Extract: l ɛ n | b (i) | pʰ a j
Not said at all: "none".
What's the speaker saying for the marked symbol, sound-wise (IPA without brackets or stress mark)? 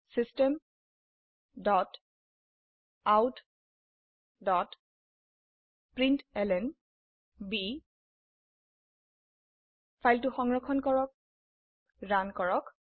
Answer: i